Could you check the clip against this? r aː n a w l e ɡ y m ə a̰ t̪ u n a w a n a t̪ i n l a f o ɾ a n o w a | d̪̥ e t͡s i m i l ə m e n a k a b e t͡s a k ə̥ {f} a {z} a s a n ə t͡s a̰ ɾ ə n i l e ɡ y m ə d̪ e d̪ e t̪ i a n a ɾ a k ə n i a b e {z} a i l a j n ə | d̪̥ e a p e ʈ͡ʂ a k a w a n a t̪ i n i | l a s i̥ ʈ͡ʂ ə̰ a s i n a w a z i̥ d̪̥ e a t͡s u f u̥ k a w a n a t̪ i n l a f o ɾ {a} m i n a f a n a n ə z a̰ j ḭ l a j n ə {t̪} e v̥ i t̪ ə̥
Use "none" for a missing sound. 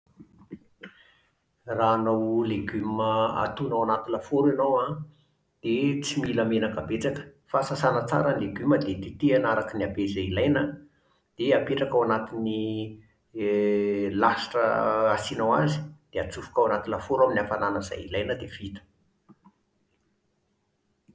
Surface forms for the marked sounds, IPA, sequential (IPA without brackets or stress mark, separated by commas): f, s, z, a, d̪